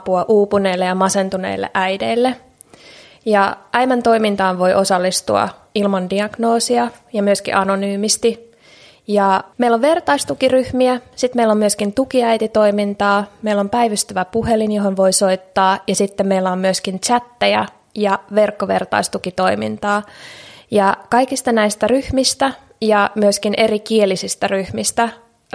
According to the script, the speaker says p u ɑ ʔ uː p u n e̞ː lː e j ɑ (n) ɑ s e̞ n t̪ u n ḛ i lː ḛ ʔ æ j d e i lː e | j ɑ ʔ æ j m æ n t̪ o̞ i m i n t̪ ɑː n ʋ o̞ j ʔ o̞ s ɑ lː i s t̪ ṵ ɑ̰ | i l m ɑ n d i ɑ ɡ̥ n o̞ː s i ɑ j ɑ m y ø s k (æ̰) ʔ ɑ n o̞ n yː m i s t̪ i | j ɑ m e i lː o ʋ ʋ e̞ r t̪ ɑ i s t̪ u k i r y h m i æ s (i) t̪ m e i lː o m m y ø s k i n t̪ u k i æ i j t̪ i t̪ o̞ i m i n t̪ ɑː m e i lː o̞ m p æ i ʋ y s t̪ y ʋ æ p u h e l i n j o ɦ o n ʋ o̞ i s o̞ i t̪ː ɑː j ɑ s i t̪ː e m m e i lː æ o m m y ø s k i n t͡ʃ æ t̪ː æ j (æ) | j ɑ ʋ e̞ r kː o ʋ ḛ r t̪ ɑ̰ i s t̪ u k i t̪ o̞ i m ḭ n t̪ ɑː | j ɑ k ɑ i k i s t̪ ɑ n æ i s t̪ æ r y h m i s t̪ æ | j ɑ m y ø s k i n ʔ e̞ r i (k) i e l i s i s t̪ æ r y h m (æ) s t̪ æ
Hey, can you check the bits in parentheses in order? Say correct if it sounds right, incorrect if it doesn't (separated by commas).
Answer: incorrect, incorrect, correct, correct, correct, incorrect